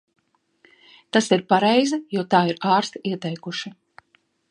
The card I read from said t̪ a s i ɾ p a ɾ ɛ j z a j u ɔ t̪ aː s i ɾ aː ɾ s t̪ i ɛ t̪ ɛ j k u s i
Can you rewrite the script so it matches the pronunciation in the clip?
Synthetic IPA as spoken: t̪ a s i ɾ p a ɾ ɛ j z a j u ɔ t̪ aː i ɾ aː ɾ s t̪ i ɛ t̪ ɛ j k u ʃ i